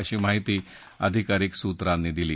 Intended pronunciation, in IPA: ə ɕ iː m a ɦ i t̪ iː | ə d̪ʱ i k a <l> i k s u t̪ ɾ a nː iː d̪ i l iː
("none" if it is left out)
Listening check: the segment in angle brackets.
ɾ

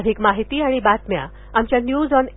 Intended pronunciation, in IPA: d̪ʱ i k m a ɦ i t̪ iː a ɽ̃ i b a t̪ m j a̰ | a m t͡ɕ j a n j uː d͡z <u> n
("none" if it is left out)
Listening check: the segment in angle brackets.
ɔ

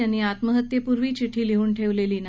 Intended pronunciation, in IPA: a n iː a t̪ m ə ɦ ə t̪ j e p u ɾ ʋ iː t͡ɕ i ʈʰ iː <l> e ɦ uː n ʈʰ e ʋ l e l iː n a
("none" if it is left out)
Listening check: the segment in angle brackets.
l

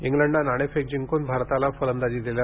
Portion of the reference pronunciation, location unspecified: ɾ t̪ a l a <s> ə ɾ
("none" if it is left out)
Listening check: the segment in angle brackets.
f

